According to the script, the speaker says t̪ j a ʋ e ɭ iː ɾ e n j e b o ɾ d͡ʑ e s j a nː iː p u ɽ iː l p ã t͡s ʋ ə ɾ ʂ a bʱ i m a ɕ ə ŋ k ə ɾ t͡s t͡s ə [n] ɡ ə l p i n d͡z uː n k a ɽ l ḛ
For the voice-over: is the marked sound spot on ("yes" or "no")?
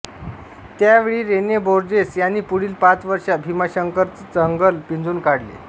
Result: no